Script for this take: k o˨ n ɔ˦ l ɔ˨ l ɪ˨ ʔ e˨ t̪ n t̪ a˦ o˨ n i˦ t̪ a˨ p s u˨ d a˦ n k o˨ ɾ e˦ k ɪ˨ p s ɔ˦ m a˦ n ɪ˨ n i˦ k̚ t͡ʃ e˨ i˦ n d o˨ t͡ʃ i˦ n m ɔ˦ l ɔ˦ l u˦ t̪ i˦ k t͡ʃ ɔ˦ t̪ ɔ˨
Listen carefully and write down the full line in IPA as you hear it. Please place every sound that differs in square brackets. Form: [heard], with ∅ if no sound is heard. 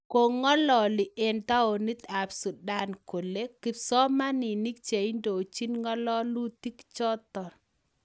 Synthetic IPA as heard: k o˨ [ŋ] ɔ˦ l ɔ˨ l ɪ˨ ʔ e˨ [∅] n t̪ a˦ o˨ n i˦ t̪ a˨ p s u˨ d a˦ n k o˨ [l] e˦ k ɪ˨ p s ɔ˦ m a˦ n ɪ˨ n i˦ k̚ t͡ʃ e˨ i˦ n d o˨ t͡ʃ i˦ n [ŋ] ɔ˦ l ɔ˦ l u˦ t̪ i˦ k t͡ʃ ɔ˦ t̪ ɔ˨

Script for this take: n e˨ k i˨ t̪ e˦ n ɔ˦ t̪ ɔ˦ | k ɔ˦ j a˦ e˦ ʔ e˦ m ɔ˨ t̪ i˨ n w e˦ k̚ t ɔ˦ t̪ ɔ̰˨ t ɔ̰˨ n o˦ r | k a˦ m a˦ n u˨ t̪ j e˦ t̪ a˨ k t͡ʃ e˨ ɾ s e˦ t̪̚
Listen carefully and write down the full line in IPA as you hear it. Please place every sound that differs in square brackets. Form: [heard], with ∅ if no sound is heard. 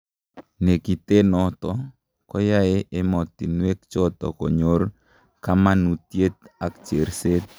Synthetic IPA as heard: n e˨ k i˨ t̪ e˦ n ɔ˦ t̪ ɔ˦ | k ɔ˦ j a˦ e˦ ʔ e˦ m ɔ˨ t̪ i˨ n w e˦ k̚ [t͡ʃ] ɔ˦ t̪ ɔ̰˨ [k] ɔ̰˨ [ɲ] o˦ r | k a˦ m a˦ n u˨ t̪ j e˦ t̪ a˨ k t͡ʃ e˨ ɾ s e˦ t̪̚

